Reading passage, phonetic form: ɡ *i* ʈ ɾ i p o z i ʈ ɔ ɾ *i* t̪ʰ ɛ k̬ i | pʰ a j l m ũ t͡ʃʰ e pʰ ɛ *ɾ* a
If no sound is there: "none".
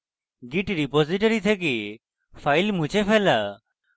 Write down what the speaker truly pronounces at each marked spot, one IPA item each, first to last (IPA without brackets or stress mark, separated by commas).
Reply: i, i, l